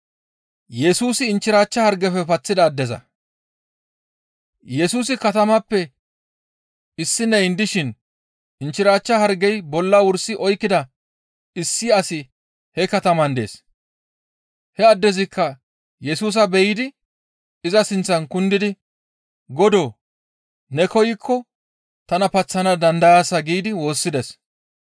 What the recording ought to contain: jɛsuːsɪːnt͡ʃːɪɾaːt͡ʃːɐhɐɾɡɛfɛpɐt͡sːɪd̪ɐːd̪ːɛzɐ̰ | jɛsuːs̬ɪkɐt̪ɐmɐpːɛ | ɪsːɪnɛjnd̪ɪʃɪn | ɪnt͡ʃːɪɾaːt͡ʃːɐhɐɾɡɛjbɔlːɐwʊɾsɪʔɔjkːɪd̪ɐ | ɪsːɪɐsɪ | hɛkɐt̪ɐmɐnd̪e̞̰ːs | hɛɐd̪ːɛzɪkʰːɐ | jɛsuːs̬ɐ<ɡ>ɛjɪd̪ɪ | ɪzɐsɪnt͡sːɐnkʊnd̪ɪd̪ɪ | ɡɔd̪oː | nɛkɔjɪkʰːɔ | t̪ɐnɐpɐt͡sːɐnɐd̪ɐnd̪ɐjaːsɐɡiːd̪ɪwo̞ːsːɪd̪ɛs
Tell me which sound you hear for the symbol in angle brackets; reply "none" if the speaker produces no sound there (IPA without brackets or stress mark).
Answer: b